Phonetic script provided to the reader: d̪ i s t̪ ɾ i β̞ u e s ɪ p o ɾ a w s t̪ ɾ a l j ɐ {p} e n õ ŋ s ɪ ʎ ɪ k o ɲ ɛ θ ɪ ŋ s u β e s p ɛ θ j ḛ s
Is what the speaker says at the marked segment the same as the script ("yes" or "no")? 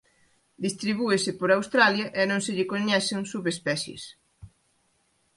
no